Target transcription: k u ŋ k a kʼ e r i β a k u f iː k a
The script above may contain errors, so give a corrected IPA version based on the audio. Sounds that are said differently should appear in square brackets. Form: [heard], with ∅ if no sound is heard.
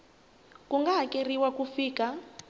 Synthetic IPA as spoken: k u ŋ [ɡ] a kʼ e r i [w] a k u f iː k a